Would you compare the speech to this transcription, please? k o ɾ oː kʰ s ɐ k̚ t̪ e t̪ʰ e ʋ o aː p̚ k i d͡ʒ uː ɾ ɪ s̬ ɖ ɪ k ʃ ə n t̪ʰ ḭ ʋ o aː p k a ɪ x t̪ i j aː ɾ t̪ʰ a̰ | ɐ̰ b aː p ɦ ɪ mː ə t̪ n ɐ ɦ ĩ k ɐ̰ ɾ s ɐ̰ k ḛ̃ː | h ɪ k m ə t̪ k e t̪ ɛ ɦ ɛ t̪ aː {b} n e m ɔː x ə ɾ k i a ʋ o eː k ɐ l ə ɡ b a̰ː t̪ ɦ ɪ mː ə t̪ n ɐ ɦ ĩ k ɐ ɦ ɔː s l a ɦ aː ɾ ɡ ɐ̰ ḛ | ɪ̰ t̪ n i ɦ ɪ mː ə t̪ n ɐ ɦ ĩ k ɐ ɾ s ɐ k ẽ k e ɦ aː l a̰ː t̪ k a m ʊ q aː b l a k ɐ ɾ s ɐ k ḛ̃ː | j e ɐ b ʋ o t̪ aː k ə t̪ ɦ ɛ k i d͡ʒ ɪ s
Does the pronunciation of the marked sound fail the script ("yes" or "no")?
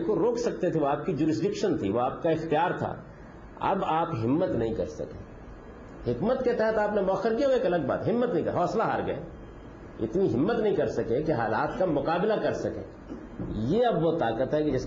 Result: yes